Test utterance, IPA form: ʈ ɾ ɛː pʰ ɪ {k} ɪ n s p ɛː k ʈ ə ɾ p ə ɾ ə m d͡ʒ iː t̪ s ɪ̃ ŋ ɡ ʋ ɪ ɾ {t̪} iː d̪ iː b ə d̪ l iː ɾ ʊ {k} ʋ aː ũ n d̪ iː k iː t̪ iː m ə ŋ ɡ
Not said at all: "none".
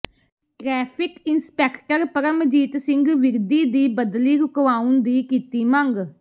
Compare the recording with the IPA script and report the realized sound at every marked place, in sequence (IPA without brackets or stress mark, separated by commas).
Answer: k, d̪, k